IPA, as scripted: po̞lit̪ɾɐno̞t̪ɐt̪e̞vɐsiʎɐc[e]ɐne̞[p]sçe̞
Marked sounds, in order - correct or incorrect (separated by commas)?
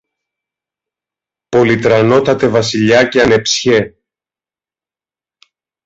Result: correct, correct